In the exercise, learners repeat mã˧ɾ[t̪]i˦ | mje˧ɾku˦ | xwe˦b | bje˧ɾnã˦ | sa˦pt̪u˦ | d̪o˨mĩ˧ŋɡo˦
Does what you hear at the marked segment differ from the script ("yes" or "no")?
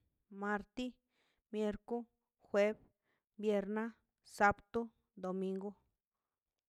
no